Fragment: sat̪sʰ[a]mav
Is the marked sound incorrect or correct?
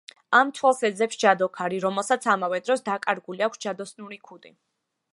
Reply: correct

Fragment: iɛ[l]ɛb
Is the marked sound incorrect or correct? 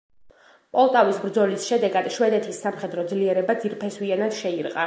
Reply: incorrect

